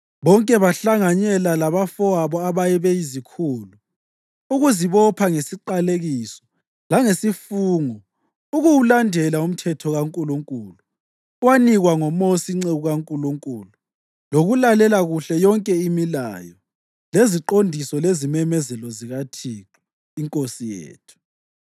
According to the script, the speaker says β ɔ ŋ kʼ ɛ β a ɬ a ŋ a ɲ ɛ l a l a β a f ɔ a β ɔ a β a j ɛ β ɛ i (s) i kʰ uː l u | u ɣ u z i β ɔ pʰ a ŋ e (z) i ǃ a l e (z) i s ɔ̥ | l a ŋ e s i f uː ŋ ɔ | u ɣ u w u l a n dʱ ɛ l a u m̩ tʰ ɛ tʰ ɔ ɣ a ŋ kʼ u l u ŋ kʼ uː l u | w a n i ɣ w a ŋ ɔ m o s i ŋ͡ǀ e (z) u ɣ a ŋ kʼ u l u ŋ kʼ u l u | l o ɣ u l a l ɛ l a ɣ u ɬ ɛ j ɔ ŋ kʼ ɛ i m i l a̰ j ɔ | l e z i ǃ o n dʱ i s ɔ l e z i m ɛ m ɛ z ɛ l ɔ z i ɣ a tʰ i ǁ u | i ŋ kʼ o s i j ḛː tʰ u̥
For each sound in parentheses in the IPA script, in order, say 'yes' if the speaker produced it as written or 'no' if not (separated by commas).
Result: no, no, no, no